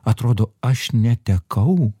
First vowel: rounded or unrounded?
unrounded